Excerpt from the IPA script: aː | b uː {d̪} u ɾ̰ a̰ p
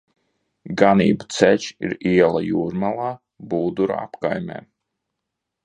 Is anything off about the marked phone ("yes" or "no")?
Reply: no